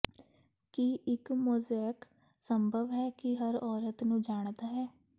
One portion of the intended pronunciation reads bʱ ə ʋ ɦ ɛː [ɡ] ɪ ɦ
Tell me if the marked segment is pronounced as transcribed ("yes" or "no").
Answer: no